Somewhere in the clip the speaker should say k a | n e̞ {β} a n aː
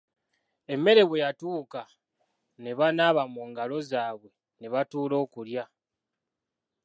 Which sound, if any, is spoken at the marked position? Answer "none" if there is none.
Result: β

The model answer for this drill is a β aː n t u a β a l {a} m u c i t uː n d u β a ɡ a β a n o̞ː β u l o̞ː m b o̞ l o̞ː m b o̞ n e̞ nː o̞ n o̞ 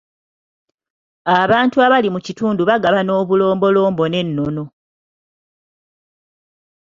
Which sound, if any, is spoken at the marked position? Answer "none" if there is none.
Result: i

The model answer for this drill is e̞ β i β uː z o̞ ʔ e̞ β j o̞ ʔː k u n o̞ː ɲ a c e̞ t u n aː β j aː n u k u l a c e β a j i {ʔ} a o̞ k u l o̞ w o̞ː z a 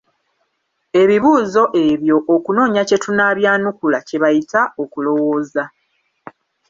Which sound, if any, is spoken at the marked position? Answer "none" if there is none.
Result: t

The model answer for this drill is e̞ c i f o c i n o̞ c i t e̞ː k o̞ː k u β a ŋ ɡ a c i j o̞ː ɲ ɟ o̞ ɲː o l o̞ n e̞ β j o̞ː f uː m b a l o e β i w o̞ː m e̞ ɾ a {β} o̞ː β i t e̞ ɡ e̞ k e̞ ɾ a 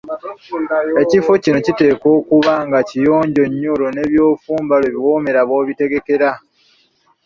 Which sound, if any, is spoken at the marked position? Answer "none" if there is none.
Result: β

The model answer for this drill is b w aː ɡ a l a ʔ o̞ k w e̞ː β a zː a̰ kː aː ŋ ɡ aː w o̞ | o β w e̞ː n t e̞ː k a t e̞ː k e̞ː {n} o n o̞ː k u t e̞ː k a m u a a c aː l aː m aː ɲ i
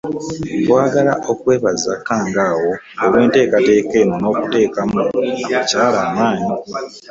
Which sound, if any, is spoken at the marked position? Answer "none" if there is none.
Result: n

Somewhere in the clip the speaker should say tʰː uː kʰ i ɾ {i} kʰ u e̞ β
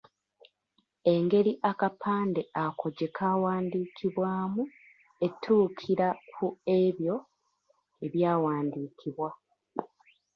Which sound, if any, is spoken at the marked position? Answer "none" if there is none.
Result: a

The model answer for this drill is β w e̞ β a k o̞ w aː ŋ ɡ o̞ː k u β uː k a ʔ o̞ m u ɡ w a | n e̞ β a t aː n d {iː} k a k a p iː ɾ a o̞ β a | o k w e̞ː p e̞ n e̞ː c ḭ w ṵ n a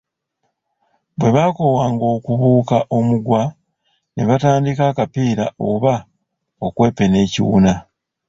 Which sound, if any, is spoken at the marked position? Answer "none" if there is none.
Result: i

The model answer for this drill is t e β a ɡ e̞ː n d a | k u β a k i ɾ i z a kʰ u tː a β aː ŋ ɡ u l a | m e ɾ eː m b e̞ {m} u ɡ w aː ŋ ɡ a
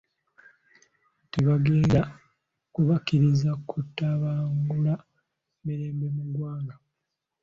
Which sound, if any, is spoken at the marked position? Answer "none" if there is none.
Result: m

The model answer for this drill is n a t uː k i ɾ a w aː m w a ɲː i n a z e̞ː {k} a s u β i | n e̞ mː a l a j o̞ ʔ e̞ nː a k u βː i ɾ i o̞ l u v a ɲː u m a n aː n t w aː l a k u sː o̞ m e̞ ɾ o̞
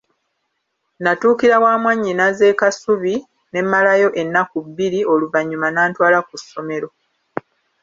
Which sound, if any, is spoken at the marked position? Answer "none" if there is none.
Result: k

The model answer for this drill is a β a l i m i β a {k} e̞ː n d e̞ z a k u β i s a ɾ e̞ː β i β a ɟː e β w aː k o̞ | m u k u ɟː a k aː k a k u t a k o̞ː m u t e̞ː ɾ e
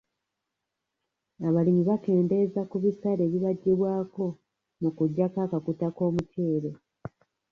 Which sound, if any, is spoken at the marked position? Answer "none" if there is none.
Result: k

